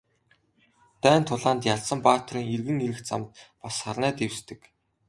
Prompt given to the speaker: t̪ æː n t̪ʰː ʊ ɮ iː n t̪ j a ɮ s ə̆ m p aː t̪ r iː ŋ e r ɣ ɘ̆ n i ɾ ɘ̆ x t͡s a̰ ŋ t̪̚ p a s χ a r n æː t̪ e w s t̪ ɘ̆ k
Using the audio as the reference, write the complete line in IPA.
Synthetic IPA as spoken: t̪ æː n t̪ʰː ʊ ɮ aː n t̪ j a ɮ s ə̆ m p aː t̪ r iː ŋ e r ɣ ɘ̆ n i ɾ ɘ̆ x t͡s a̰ m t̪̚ p a s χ a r n æː t̪ e w s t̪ ɘ̆ k